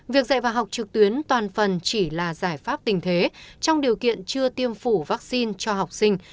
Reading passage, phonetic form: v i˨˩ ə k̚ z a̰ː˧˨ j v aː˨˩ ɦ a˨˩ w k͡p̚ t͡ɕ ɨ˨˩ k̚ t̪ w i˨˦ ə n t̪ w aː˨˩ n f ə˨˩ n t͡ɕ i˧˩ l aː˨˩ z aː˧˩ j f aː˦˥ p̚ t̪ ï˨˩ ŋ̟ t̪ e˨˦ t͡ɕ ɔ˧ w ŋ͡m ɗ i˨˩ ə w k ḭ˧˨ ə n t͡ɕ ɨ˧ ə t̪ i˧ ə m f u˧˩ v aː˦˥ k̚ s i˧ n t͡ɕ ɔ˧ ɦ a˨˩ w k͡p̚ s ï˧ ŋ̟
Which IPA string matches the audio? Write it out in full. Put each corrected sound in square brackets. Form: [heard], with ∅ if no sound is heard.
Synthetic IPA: v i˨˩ ə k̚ z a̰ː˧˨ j v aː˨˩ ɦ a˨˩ w k͡p̚ t͡ɕ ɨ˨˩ k̚ t̪ w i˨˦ ə n t̪ w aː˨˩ n f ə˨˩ n t͡ɕ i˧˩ l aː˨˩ z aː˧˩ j f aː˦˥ p̚ t̪ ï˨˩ ŋ̟ [t̪ʰ] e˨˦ t͡ɕ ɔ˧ w ŋ͡m ɗ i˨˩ ə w k ḭ˧˨ ə n t͡ɕ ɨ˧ ə t̪ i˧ ə m f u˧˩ v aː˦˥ k̚ s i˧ n t͡ɕ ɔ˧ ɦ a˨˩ w k͡p̚ s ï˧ ŋ̟